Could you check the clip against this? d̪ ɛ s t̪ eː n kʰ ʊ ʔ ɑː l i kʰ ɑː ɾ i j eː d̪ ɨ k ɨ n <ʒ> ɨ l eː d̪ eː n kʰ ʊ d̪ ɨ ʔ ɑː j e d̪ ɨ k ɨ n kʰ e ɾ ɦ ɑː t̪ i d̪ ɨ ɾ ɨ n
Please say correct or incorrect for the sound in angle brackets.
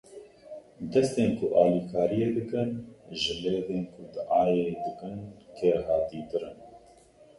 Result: correct